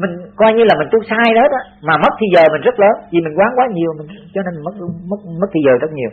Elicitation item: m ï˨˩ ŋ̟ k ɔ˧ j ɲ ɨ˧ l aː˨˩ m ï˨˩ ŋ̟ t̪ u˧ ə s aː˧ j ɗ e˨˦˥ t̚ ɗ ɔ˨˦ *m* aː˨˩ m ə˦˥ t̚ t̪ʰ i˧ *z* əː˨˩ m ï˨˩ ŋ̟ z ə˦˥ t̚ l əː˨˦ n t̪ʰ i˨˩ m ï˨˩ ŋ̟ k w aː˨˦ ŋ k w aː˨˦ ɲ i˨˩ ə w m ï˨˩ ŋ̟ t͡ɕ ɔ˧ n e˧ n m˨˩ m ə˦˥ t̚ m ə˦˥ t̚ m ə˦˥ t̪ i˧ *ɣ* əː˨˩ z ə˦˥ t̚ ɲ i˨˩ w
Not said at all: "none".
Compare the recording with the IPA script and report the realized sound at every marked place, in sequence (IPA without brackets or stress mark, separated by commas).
m, z, z